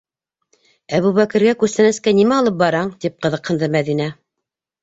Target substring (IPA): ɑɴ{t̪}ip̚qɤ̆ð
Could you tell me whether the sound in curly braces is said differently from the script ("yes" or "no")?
no